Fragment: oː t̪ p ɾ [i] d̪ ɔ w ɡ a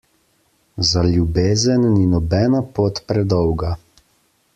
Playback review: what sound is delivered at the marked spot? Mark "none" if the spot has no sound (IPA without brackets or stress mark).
ɛ